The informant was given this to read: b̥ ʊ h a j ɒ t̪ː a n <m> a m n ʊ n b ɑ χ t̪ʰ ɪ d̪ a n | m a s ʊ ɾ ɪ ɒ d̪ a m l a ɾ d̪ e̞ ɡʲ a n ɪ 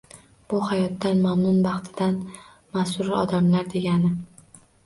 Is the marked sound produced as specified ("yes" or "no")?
yes